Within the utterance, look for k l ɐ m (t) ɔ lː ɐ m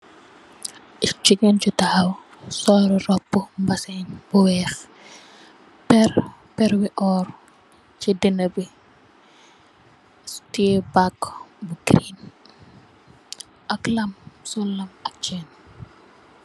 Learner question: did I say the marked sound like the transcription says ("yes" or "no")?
no